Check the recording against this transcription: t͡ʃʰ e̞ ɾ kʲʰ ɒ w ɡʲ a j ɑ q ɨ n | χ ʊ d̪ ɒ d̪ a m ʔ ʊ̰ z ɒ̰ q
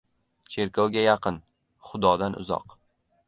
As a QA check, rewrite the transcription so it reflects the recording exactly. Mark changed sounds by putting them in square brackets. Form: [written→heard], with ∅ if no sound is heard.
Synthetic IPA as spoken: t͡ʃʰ e̞ ɾ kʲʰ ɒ w ɡʲ a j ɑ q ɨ n | χ ʊ d̪ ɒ d̪ a [m→n] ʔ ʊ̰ z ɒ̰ q

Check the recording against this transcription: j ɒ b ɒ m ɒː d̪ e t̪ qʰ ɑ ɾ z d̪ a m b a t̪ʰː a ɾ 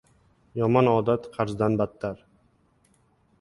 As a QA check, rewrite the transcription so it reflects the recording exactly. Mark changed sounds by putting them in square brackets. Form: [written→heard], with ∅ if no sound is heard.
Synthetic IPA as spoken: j ɒ [b→m] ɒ [m→n] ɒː d̪ [e→a] t̪ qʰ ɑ ɾ z d̪ a [m→n] b a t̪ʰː a ɾ

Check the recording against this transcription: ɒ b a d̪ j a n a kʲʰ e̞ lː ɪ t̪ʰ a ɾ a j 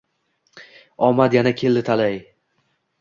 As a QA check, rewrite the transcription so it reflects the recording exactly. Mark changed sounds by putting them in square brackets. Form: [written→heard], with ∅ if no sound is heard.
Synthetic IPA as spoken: ɒ [b→m] a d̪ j a n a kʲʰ e̞ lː ɪ t̪ʰ a [ɾ→l] a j

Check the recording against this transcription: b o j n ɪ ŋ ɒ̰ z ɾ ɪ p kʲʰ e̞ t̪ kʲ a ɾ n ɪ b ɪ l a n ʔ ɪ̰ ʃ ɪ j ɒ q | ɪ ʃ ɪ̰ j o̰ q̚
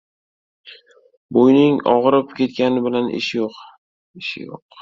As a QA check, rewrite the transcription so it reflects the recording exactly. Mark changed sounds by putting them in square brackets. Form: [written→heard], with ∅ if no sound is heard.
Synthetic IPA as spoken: b o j n ɪ ŋ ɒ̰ [z→ʁ] ɾ ɪ p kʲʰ e̞ t̪ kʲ a [ɾ→∅] n ɪ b ɪ l a n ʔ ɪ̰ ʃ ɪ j [ɒ→o] q | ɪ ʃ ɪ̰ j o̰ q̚

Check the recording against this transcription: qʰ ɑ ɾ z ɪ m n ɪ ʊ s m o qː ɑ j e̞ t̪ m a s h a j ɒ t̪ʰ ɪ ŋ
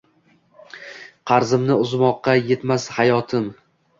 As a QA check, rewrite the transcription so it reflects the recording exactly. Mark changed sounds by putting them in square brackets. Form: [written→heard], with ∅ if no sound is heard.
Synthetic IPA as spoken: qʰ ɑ ɾ z ɪ m n ɪ ʊ [s→z] m [o→ɒ] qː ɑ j e̞ t̪ m a s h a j ɒ t̪ʰ ɪ [ŋ→m]

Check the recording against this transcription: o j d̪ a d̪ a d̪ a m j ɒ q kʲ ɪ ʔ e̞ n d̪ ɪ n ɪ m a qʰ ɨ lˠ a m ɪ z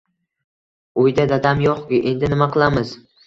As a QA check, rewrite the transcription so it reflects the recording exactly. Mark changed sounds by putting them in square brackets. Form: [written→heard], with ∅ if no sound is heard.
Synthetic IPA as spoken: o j d̪ a d̪ a d̪ a m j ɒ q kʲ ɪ ʔ e̞ n d̪ ɪ n ɪ m a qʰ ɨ lˠ a m ɪ z

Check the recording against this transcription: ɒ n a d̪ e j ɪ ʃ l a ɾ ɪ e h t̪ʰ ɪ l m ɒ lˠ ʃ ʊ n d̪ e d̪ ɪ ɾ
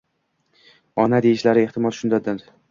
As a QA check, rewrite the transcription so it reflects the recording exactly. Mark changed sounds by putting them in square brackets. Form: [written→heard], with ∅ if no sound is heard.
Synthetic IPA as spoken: ɒ n a d̪ e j ɪ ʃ l a ɾ ɪ e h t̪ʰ ɪ [l→∅] m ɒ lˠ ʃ ʊ n d̪ [e→a] d̪ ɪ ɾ

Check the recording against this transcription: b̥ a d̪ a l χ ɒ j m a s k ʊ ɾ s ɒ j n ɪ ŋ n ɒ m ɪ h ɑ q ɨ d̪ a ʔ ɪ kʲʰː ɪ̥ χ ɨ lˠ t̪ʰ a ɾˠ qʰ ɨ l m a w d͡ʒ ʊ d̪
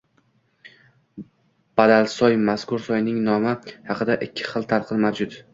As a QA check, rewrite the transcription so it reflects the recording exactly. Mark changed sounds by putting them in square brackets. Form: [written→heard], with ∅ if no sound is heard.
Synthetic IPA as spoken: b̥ a d̪ a l [χ→s] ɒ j m a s k ʊ ɾ s ɒ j n ɪ ŋ n ɒ m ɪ h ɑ q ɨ d̪ a ʔ ɪ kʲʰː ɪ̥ χ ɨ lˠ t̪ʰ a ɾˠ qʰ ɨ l m a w d͡ʒ ʊ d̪

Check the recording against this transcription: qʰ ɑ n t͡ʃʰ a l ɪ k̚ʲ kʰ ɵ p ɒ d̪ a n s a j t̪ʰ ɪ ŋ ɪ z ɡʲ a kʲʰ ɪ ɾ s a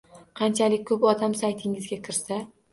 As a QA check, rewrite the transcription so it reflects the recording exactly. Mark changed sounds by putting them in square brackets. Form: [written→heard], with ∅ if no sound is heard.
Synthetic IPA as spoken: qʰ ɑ n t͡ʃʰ a l ɪ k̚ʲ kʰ ɵ p ɒ d̪ a [n→m] s a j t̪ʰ ɪ ŋ ɪ z ɡʲ a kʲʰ ɪ ɾ s a

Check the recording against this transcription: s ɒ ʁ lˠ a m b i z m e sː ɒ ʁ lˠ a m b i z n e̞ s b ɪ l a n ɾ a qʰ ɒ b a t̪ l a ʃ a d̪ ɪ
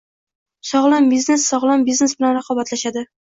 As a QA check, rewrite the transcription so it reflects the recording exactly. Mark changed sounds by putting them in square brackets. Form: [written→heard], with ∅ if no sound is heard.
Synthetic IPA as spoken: s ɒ ʁ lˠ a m b i z [m→n] e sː ɒ ʁ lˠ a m b i z n e̞ s b ɪ l a n ɾ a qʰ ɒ b a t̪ l a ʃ a d̪ ɪ

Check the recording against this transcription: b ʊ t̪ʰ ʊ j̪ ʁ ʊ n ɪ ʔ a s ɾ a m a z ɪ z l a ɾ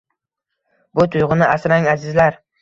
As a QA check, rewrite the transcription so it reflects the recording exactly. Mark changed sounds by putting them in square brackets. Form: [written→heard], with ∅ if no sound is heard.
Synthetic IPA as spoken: b ʊ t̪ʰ ʊ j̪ ʁ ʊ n ɪ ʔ a s ɾ a [m→ŋ] a z ɪ z l a ɾ

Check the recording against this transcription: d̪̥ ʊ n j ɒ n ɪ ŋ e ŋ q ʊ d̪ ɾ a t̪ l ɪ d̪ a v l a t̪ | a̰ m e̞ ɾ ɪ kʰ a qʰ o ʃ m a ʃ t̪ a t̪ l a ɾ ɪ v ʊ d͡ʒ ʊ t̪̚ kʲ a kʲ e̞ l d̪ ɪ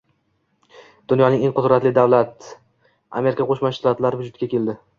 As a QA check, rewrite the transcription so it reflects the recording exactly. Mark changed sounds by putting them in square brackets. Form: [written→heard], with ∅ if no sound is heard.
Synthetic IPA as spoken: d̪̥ ʊ n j ɒ n ɪ ŋ e ŋ q ʊ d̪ ɾ a t̪ l ɪ d̪ a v l a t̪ | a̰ m e̞ ɾ ɪ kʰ a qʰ o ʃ m a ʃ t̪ a t̪ l a ɾ ɪ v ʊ d͡ʒ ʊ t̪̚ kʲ a kʲ e̞ l d̪ ɪ

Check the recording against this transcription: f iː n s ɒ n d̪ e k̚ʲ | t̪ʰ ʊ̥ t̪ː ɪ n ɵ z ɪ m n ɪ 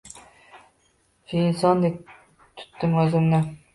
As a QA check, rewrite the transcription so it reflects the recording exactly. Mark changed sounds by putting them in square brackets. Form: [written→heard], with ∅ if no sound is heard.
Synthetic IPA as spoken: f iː n s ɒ n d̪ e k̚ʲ | t̪ʰ ʊ̥ t̪ː ɪ [n→m] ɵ z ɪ m n ɪ

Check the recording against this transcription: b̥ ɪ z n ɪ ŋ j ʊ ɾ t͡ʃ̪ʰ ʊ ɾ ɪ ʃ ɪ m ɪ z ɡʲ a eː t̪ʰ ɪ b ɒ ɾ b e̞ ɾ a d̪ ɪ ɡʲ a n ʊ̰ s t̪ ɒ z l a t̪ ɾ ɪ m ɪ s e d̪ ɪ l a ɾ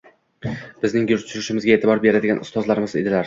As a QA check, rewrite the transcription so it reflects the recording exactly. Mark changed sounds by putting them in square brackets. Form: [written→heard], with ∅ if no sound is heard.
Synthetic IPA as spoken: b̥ ɪ z n ɪ ŋ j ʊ ɾ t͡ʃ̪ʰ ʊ ɾ ɪ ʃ ɪ m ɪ z ɡʲ a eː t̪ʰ ɪ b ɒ ɾ b e̞ ɾ a d̪ ɪ ɡʲ a n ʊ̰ s t̪ ɒ z l a [t̪→∅] ɾ ɪ m ɪ [s→z] e d̪ ɪ l a ɾ

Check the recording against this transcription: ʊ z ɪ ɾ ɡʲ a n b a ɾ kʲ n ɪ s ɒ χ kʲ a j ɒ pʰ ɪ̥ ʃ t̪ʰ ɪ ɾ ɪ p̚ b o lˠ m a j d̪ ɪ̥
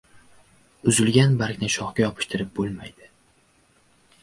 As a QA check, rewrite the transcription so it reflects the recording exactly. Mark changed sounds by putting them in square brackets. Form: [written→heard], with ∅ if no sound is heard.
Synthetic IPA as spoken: ʊ z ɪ [ɾ→l] ɡʲ a n b a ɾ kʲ n ɪ [s→ʃ] ɒ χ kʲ a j ɒ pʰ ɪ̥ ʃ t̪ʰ ɪ ɾ ɪ p̚ b o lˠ m a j d̪ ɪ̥

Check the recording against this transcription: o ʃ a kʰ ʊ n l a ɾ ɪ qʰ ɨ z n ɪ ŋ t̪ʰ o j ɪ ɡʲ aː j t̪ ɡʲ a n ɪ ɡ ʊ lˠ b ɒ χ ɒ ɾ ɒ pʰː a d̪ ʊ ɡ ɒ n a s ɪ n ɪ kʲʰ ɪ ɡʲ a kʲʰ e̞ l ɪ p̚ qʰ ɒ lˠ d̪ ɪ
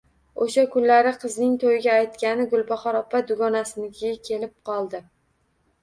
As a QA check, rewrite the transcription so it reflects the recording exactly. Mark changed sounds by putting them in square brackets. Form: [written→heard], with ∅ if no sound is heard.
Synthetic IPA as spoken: o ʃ a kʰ ʊ n l a ɾ ɪ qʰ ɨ z n ɪ ŋ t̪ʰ o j ɪ ɡʲ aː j t̪ [ɡʲ→kʲ] a n ɪ ɡ ʊ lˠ b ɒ χ ɒ ɾ ɒ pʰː a d̪ ʊ ɡ ɒ n a s ɪ n ɪ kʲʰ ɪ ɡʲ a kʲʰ e̞ l ɪ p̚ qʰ ɒ lˠ d̪ ɪ

